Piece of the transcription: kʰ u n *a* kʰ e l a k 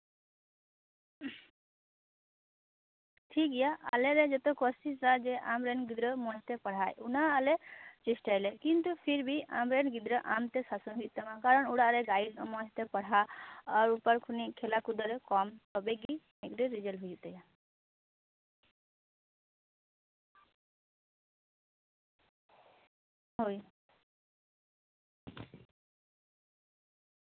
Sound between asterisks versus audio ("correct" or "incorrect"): incorrect